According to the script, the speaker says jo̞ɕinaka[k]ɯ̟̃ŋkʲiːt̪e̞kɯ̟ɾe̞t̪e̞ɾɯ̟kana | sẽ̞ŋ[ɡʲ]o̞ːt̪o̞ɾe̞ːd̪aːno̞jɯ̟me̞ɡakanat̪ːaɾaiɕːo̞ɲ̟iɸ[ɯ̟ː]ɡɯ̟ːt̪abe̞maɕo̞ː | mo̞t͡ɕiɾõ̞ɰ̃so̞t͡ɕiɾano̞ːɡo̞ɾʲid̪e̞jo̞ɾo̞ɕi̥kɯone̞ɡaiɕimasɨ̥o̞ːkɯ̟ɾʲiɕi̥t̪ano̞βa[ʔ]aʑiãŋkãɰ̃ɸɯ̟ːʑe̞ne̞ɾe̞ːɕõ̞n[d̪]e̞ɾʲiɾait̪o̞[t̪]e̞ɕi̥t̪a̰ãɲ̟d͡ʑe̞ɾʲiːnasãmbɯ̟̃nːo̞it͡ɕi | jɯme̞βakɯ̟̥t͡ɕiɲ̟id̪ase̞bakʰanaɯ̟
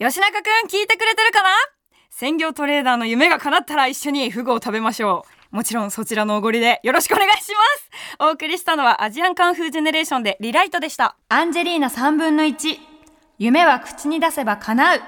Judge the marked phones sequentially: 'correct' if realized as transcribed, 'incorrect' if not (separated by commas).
correct, correct, incorrect, correct, correct, incorrect